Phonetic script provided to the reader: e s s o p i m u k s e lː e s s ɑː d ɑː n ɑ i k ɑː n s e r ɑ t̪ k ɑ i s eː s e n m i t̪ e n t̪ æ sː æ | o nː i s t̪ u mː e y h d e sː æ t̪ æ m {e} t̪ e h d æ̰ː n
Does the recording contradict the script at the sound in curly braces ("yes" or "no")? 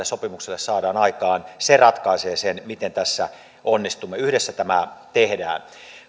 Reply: yes